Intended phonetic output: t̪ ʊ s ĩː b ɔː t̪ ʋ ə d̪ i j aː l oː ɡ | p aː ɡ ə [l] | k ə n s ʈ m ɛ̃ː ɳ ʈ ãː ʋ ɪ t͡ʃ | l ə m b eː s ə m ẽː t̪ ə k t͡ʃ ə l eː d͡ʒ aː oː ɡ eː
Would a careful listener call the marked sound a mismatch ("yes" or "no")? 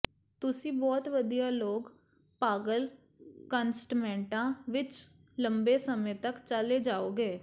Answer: no